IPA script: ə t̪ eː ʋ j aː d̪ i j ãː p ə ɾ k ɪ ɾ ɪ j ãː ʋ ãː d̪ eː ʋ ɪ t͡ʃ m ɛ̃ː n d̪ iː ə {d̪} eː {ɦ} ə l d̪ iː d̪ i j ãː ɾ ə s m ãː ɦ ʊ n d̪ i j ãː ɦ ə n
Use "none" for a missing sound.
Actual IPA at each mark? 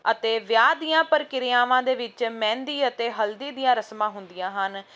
t̪, ɦ

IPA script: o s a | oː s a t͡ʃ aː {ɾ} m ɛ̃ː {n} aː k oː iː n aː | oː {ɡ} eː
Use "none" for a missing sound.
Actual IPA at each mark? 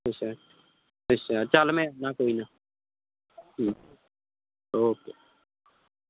l, n, k

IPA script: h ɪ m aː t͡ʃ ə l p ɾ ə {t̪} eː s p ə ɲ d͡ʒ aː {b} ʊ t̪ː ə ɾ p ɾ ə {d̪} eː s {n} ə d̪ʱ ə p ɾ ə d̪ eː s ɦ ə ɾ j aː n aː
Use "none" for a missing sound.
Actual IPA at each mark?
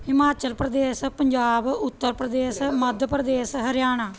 d̪, b, d̪, m

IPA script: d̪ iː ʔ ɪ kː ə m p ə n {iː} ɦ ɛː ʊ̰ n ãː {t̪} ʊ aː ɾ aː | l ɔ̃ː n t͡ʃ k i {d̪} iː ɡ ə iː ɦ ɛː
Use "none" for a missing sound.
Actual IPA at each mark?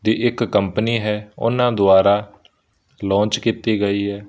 iː, d̪, t̪

